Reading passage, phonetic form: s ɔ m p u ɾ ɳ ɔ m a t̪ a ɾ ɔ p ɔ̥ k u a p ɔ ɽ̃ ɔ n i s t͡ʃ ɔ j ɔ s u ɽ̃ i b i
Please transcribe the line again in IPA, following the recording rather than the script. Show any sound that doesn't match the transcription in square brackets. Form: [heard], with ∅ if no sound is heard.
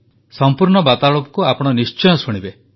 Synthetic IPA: s ɔ m p u ɾ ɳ ɔ [b] a t̪ a [ɭ] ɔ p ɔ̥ k u a p ɔ ɽ̃ ɔ n i s t͡ʃ ɔ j ɔ s u ɽ̃ i b [e]